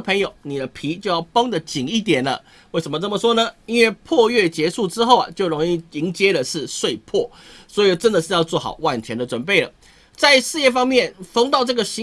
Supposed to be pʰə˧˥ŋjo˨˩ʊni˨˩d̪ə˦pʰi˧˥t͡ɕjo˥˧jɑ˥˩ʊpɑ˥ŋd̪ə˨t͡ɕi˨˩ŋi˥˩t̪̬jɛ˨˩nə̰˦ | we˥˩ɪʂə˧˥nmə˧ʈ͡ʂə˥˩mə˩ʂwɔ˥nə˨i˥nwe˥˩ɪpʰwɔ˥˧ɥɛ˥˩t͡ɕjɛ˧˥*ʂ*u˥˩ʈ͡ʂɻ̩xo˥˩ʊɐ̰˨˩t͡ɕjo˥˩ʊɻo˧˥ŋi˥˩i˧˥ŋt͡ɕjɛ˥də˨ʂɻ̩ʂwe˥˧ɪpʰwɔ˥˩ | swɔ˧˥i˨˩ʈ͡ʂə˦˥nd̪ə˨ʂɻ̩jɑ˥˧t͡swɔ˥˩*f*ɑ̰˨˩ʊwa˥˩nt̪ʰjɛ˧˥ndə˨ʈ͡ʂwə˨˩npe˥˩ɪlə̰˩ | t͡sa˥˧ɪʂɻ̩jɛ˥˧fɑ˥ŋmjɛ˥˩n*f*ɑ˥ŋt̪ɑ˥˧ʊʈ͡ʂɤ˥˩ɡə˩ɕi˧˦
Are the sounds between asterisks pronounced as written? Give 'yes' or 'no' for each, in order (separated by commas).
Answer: yes, no, yes